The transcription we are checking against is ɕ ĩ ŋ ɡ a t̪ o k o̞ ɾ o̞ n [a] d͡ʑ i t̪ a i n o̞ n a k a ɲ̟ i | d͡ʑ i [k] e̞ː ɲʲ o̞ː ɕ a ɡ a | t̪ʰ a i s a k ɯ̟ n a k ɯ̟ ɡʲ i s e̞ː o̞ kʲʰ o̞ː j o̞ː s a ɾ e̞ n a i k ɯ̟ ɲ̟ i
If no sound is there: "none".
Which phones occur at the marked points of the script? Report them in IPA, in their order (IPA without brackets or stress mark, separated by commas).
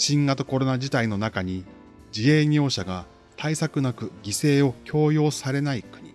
a, none